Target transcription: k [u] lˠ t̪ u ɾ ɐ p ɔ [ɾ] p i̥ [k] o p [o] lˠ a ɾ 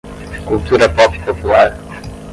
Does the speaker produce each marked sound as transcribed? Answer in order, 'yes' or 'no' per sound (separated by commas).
yes, no, no, no